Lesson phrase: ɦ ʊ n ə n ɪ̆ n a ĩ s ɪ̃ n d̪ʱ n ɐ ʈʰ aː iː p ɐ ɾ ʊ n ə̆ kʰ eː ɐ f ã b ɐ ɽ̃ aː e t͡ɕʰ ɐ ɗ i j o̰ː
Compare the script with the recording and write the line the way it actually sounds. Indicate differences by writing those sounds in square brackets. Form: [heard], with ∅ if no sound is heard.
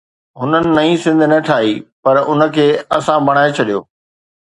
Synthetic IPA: ɦ ʊ n ə n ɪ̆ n [ɐ] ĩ s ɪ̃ n d̪ʱ n ɐ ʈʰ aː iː p ɐ ɾ ʊ n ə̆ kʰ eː ɐ [s] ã b ɐ ɽ̃ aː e t͡ɕʰ ɐ ɗ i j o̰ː